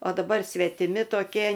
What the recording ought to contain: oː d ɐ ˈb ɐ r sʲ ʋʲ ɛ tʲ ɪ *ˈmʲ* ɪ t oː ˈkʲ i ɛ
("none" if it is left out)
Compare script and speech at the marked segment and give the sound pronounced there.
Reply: mʲ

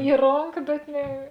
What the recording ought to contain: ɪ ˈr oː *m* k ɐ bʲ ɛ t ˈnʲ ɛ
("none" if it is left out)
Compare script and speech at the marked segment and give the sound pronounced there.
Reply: ŋ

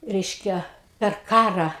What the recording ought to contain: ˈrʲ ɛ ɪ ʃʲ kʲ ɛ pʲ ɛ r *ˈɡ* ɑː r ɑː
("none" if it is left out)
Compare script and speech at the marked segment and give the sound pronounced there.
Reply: k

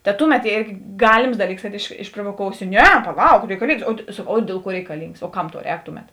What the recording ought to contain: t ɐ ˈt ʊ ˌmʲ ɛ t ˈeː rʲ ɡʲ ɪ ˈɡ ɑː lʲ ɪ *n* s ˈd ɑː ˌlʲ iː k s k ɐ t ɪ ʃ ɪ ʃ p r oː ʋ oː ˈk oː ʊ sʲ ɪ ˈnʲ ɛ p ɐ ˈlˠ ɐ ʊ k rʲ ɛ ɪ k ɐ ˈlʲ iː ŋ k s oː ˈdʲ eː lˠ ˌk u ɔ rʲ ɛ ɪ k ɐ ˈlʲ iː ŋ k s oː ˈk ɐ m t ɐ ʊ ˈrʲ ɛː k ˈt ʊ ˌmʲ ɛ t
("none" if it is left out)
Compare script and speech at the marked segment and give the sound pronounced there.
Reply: m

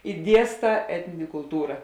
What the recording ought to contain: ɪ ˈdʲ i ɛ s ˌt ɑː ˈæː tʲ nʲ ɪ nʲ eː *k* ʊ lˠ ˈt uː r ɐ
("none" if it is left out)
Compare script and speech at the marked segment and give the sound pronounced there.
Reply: k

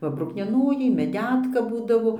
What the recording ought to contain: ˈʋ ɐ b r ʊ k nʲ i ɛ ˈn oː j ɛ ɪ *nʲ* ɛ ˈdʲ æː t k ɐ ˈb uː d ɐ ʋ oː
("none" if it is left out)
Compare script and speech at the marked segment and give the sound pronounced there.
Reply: mʲ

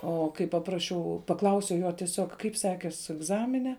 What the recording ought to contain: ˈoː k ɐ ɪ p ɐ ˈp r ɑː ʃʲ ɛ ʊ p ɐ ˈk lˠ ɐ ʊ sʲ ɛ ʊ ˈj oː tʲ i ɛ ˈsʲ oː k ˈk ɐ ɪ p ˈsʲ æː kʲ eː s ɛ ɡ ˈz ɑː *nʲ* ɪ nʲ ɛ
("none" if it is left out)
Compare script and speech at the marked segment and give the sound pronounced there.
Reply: mʲ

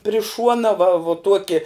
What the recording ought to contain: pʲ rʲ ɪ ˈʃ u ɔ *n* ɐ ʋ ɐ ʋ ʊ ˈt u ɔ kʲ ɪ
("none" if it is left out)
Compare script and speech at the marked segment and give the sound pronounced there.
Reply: n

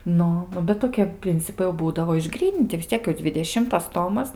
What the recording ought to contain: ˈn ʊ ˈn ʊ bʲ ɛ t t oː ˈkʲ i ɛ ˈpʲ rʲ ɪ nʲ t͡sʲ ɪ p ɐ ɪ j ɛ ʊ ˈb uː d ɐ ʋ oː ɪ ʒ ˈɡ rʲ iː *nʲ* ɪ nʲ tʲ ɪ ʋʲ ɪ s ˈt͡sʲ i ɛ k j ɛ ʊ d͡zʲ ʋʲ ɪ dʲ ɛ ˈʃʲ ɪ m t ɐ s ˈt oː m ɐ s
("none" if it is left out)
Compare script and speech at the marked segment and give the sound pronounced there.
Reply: nʲ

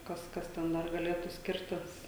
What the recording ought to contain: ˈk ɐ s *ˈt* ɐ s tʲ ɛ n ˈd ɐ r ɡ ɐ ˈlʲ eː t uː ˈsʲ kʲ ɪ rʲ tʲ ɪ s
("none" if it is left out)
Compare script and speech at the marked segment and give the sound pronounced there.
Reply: k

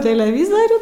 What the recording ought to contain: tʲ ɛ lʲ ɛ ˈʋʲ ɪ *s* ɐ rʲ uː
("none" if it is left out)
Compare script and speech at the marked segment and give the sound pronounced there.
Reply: z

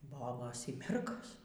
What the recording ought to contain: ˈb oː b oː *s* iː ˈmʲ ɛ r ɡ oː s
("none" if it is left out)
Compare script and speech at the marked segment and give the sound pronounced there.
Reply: s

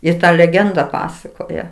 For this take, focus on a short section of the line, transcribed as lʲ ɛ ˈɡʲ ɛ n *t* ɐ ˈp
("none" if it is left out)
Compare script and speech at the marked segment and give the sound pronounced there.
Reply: d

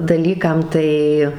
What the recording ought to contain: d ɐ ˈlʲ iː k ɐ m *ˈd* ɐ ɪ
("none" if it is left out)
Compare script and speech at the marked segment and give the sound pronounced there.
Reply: t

